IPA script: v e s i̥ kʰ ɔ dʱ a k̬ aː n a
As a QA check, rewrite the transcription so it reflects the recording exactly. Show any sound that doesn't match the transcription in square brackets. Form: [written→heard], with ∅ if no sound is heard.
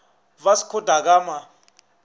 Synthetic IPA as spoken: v [e→a] s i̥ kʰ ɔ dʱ a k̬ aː [n→m] a